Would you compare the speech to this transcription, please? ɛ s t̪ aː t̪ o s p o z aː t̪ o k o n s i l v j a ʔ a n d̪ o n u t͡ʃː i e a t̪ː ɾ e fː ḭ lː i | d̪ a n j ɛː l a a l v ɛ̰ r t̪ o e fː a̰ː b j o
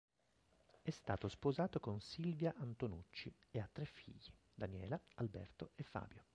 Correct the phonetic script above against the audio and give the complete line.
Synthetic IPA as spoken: ɛ s t̪ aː t̪ o s p o z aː t̪ o k o n s i l v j a ʔ a n t̪ o n u t͡ʃː i e a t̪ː ɾ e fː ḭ ʎː i | d̪ a n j ɛː l a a l b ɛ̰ r t̪ o e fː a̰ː b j o